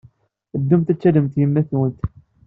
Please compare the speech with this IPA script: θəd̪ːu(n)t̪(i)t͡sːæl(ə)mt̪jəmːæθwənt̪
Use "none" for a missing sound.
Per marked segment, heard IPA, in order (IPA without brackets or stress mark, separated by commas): m, æ, ə